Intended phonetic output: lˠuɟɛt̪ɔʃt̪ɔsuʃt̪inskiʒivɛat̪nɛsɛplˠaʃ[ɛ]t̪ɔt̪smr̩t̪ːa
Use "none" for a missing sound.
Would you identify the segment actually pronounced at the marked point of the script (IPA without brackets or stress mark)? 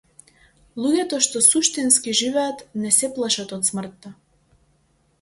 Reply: a